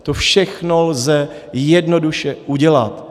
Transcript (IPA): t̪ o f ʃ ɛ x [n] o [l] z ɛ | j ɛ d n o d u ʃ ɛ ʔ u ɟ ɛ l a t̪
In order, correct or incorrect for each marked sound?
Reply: correct, correct

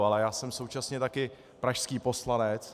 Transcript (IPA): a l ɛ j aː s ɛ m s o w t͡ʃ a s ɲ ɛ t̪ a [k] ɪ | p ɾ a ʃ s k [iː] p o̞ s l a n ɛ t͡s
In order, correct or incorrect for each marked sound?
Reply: correct, correct

